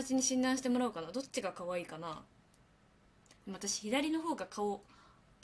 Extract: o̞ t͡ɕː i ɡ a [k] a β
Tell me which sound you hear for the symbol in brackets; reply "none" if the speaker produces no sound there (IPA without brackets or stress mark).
k